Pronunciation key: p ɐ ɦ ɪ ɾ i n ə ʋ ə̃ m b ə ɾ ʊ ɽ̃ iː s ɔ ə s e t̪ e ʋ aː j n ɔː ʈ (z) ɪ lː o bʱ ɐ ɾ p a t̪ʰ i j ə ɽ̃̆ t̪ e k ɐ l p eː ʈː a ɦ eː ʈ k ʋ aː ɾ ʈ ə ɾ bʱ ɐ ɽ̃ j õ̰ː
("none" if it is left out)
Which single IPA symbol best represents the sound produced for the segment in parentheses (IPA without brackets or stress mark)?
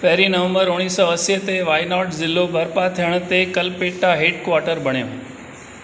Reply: z